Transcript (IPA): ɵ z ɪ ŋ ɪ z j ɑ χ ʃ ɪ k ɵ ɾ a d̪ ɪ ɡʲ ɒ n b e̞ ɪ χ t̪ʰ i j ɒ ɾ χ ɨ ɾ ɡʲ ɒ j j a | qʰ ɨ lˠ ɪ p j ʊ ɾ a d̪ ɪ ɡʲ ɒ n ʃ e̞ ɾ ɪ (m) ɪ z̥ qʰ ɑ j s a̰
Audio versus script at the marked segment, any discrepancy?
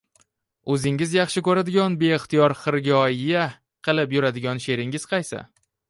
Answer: yes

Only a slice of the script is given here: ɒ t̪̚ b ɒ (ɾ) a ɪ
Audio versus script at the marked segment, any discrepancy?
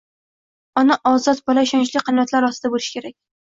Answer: yes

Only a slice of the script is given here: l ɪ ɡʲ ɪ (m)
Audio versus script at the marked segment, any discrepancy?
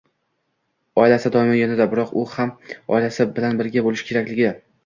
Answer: yes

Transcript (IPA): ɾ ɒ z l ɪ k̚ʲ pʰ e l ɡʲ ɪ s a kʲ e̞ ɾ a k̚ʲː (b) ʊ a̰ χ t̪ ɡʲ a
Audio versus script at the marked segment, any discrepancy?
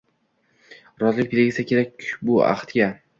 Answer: no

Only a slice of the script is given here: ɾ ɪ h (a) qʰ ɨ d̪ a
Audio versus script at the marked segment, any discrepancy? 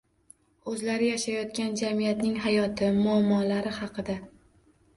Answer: yes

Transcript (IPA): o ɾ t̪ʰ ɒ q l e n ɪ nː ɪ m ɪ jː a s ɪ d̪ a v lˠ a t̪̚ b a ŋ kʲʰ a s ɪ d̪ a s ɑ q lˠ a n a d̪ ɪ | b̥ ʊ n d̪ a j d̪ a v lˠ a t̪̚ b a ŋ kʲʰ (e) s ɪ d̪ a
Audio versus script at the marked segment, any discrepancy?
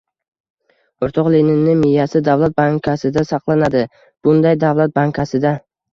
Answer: yes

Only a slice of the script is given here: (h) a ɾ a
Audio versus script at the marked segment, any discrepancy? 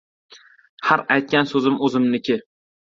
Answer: no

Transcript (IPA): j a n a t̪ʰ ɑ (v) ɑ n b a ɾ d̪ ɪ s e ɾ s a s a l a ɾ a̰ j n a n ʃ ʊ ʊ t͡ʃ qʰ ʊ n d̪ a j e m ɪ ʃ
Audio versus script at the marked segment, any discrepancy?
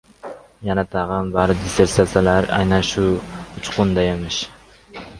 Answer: yes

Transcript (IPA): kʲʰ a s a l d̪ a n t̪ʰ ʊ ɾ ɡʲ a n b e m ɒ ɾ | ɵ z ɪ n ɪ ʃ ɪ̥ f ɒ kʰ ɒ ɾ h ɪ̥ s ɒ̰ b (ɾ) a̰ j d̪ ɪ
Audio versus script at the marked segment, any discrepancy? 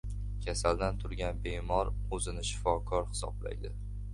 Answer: yes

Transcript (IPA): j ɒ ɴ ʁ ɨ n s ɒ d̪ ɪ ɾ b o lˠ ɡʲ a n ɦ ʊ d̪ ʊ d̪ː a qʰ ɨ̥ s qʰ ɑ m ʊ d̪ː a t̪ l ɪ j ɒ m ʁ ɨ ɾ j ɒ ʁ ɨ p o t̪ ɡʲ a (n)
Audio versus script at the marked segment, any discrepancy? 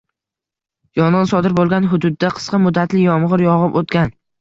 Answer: no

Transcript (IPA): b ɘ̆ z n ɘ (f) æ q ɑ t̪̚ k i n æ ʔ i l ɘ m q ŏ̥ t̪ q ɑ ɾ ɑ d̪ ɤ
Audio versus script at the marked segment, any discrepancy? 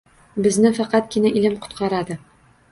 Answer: no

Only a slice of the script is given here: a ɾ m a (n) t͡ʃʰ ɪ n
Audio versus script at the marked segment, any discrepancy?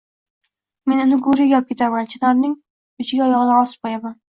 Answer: no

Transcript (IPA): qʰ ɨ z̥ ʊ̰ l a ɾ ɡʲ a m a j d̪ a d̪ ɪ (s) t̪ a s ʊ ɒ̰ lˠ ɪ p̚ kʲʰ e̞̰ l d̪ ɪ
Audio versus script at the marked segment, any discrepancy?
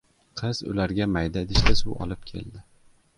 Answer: yes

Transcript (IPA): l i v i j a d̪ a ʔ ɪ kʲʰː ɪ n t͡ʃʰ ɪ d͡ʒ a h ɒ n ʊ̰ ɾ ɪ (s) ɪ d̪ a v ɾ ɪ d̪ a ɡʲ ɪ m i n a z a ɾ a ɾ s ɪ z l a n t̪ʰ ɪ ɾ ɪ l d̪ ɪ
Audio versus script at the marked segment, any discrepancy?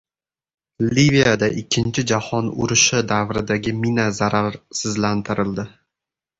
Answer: yes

